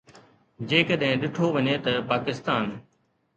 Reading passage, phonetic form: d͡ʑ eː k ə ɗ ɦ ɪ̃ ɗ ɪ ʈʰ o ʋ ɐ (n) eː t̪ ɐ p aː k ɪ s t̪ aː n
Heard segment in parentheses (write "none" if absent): ɲ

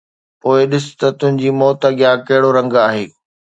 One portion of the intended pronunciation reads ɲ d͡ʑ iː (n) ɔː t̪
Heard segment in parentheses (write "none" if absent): m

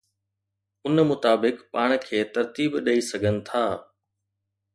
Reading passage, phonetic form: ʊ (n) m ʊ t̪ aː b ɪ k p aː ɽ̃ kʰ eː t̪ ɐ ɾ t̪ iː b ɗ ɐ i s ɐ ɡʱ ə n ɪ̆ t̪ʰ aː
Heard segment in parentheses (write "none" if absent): n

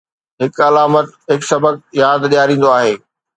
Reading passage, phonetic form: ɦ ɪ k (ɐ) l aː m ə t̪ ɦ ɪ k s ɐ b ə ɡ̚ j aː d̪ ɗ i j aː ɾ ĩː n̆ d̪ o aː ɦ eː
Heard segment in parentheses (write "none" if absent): ɐ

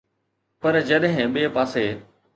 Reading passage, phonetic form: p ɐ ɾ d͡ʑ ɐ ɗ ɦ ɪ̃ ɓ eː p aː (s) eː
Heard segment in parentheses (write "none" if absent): s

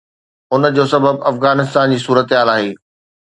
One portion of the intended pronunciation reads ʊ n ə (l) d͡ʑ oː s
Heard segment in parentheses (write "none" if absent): none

